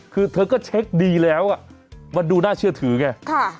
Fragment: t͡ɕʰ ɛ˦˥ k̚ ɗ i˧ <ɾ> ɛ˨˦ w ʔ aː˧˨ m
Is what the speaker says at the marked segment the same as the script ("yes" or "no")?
no